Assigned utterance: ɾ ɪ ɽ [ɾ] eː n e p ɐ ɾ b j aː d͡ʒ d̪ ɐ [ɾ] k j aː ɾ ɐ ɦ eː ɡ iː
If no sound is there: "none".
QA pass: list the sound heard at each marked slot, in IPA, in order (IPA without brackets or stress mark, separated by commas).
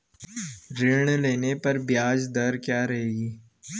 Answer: l, ɾ